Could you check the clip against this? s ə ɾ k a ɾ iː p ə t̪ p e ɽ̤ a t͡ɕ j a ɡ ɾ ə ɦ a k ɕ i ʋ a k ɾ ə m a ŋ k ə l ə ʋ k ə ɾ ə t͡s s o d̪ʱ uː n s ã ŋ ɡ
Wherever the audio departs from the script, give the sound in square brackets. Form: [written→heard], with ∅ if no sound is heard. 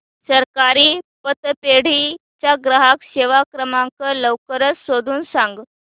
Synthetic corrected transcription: s ə ɾ k a ɾ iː p ə t̪ p e ɽ̤ [a→i] t͡ɕ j a ɡ ɾ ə ɦ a k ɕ [i→e] ʋ a k ɾ ə m a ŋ k ə l ə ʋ k ə ɾ ə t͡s s o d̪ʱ uː n s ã ŋ ɡ